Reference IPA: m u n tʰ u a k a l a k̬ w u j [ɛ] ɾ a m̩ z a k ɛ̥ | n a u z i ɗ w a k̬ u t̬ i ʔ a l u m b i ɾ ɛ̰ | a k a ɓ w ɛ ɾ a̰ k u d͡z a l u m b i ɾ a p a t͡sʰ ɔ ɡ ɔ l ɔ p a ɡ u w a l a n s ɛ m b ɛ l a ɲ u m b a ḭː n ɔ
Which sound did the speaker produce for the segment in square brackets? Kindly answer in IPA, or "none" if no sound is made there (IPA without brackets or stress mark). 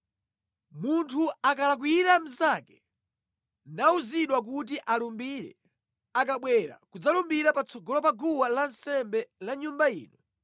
i